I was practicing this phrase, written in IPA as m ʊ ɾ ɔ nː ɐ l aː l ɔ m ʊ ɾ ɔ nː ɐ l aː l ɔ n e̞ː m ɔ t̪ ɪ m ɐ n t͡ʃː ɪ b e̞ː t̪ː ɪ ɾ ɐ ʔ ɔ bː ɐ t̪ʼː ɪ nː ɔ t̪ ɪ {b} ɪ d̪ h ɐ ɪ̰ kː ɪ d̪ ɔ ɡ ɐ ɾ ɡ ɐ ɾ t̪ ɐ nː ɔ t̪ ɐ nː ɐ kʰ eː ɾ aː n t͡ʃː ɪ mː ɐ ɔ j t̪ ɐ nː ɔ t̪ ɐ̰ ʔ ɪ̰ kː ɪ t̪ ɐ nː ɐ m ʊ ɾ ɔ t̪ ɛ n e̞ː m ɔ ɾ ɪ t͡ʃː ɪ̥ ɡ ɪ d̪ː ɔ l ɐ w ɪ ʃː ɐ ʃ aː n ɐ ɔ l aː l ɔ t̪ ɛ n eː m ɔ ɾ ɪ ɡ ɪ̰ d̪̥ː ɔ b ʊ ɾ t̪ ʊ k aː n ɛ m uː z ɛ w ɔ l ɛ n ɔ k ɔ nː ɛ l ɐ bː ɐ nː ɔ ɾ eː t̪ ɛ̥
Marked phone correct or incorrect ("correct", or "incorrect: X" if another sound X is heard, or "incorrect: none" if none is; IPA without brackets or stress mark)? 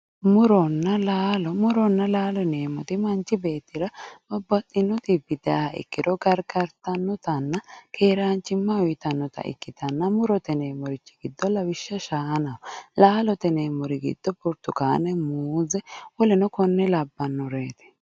correct